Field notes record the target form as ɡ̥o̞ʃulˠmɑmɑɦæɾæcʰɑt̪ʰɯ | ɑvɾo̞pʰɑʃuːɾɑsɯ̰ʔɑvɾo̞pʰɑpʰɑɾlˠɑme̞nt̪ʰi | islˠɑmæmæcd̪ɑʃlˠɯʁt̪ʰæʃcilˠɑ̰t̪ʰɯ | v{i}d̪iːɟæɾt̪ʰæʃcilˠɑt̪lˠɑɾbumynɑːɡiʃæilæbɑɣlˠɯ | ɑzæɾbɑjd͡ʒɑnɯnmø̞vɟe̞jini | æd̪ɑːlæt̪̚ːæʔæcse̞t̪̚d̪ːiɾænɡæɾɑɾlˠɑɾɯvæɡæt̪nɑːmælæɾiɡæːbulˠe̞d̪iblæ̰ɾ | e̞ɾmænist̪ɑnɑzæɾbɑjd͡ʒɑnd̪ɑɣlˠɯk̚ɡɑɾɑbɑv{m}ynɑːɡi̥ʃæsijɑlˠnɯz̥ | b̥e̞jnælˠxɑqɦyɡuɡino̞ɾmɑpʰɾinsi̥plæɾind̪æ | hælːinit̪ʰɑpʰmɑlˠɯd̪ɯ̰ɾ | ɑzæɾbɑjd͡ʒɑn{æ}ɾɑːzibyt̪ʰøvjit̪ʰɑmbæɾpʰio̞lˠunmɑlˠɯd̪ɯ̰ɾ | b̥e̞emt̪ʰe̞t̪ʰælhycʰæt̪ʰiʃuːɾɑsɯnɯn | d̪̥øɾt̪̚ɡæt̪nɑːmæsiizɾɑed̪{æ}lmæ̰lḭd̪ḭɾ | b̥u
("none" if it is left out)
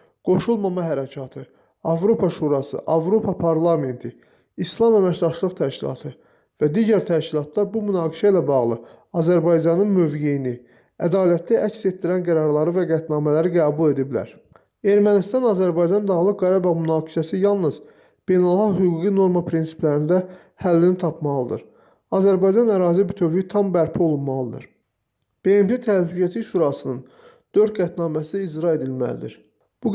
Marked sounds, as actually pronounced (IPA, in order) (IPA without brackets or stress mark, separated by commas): æ, m, æ, i